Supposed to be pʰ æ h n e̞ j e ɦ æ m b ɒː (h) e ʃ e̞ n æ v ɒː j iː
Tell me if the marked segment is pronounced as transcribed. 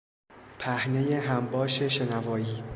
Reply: no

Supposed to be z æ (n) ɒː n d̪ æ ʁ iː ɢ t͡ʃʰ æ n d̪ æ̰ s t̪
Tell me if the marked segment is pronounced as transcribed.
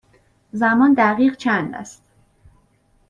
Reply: no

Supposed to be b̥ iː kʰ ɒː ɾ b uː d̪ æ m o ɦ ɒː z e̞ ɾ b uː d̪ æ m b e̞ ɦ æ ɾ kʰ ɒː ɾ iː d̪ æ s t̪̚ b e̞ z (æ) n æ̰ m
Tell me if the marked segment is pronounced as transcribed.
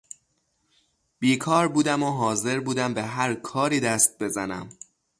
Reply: yes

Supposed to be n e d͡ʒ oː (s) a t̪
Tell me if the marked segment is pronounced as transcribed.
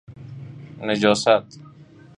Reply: yes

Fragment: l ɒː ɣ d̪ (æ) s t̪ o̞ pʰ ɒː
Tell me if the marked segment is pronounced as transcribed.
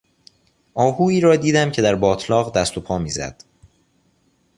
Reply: yes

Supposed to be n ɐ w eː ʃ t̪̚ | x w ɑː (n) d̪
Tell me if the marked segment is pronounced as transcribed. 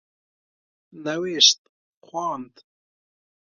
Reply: yes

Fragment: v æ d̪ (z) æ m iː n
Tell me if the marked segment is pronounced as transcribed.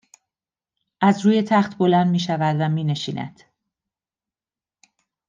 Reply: no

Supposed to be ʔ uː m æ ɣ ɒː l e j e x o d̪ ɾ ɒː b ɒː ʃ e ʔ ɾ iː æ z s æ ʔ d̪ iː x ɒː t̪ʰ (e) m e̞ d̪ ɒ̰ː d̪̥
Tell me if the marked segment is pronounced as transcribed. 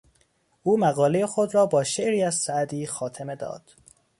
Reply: yes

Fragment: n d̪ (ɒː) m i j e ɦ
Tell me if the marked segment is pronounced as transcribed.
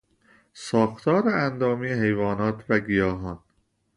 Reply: yes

